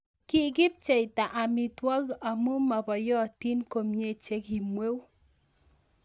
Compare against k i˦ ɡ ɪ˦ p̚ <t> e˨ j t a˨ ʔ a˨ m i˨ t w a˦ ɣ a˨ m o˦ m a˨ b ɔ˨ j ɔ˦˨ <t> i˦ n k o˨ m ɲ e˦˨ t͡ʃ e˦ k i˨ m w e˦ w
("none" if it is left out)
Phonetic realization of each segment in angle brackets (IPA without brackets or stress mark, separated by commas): t͡ʃ, t